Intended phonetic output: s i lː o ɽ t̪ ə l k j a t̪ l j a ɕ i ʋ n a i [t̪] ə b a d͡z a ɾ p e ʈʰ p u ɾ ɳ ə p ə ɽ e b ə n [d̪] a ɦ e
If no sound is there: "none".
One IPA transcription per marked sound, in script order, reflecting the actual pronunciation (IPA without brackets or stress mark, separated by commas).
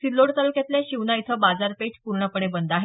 t̪ʰ, d̪